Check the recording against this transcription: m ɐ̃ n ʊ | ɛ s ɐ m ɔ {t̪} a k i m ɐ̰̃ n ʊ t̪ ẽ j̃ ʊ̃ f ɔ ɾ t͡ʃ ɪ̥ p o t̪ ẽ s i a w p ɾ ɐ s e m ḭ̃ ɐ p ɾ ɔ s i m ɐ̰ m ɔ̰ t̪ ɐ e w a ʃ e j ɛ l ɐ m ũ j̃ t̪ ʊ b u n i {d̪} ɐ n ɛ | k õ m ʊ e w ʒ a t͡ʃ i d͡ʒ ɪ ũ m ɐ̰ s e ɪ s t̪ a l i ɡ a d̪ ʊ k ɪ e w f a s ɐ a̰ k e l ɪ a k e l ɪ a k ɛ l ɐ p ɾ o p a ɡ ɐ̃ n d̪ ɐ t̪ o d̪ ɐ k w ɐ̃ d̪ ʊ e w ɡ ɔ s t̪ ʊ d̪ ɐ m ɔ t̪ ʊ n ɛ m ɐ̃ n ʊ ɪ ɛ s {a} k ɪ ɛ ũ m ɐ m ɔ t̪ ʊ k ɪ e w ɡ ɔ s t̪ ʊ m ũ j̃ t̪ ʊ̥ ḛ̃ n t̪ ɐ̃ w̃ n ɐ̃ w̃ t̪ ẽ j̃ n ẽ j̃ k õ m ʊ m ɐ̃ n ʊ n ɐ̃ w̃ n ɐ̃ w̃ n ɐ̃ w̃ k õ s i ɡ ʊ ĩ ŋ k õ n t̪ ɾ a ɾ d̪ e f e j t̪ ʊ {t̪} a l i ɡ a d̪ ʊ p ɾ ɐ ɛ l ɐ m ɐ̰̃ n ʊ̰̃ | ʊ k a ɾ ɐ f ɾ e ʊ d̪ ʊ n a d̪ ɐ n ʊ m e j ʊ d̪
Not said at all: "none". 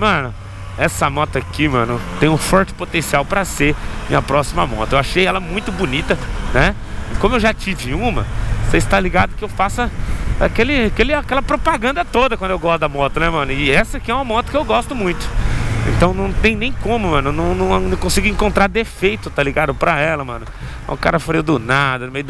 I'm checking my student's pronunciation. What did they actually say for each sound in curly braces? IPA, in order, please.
t̪, t̪, ɐ, t̪

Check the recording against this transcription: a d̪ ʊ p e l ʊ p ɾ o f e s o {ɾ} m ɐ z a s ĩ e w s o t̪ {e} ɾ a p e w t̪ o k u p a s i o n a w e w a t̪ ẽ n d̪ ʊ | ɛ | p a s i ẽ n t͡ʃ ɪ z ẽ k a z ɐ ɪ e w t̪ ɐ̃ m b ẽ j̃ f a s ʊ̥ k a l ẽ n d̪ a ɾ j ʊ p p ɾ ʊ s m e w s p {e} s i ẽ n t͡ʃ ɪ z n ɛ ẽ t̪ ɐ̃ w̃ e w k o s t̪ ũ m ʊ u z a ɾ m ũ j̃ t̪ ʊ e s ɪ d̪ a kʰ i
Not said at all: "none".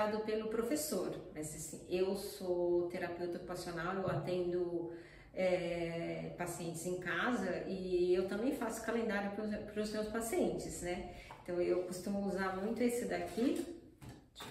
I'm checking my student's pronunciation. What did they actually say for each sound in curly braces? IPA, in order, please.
ɾ, e, a

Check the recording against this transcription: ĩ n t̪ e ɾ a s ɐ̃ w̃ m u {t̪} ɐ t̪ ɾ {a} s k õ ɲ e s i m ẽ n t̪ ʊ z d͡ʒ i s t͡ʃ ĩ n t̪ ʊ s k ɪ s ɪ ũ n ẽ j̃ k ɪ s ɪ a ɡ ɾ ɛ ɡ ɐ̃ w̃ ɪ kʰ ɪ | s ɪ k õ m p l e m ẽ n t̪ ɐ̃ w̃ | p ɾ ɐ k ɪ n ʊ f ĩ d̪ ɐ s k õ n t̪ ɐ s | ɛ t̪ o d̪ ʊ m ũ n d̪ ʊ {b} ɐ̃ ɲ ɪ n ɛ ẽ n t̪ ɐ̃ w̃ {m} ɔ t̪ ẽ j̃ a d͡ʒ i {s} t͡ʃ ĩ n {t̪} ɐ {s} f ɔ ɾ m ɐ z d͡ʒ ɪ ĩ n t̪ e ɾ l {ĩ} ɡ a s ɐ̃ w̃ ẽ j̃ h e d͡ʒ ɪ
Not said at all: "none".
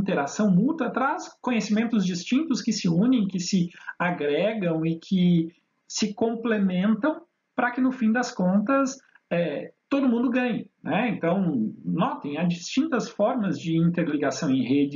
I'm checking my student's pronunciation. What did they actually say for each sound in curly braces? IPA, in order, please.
t̪, a, ɡ, n, s, t̪, s, i

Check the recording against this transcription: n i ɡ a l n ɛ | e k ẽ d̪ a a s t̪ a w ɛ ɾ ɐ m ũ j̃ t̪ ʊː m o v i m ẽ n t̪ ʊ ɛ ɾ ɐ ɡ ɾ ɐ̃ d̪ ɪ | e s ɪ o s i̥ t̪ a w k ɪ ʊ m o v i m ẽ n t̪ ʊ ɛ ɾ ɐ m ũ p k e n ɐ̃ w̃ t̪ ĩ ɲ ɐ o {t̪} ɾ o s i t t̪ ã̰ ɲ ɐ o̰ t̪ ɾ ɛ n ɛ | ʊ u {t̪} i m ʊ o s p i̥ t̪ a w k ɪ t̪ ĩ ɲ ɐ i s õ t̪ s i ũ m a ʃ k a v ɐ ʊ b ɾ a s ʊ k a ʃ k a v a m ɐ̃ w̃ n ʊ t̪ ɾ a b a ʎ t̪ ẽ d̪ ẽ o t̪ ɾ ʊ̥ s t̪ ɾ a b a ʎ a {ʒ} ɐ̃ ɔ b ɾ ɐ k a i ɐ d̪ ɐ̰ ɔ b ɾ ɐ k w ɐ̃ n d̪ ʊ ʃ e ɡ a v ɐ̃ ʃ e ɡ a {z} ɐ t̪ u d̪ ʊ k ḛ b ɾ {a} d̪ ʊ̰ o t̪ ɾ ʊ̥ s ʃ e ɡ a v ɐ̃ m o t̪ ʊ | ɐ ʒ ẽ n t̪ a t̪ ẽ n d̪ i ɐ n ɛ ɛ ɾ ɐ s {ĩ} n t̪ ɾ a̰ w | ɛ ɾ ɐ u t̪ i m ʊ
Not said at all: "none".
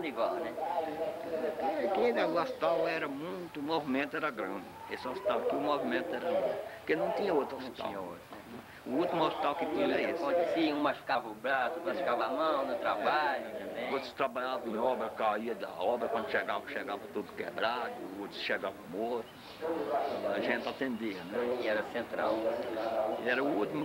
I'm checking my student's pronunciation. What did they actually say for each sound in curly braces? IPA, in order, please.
t̪, t̪, v, v, a, ẽ

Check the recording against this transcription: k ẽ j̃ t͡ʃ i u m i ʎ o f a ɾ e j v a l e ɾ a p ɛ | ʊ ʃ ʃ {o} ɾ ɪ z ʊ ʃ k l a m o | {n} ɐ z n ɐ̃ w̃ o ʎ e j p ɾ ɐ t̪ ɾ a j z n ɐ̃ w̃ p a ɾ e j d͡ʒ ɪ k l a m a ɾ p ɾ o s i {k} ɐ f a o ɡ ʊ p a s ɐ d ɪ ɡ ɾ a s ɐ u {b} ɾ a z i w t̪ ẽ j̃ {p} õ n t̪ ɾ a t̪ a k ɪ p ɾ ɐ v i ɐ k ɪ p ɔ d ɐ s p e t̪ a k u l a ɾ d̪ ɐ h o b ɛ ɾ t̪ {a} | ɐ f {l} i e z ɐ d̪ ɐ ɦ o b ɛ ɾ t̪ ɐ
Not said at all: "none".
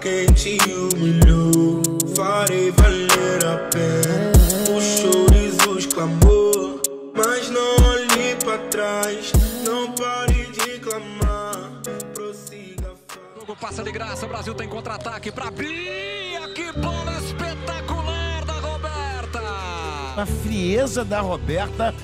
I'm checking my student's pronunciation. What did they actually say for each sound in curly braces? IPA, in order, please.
o, m, ɡ, b, k, ɐ, ɾ

